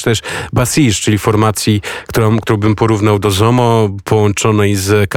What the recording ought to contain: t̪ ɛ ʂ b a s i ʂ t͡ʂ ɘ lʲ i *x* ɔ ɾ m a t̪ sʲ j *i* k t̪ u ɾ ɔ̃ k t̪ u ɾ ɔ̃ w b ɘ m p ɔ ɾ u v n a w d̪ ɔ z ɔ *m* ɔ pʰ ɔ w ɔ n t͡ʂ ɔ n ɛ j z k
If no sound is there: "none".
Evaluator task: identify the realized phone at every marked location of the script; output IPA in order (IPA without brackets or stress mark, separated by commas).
f, i, m